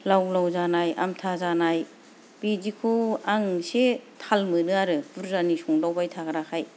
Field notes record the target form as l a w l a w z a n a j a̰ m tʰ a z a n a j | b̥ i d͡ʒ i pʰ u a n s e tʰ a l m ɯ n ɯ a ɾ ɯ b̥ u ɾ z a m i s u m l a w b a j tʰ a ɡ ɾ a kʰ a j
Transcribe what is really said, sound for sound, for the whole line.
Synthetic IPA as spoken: l a w l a w z a n a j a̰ m tʰ a z a n a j | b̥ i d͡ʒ i kʰ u a ŋ s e tʰ a l m ɯ n ɯ a ɾ ɯ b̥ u ɾ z a n i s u ŋ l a w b a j tʰ a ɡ ɾ a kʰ a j